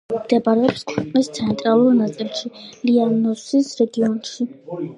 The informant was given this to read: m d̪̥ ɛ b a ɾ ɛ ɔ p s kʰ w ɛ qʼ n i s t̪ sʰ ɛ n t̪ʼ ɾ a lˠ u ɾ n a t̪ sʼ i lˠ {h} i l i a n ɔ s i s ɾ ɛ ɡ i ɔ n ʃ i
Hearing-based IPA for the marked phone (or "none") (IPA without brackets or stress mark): ʃ